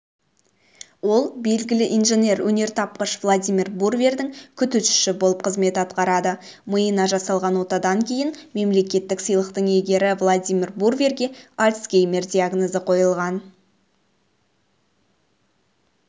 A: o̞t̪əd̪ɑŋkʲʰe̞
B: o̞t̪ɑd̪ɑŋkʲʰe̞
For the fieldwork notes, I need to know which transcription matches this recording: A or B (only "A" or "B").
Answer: B